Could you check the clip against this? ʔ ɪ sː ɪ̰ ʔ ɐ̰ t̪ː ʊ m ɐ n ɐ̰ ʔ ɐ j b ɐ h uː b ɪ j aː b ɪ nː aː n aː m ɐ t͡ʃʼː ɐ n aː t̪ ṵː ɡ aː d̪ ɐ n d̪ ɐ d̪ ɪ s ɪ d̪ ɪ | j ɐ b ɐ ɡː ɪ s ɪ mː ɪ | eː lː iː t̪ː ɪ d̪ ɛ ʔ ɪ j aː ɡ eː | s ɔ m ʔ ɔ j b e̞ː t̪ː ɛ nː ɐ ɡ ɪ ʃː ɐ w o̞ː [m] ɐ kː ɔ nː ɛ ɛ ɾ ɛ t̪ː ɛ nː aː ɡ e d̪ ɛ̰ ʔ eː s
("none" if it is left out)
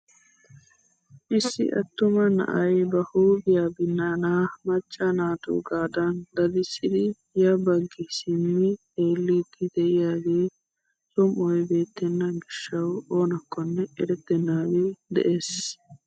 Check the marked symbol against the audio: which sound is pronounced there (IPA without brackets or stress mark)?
n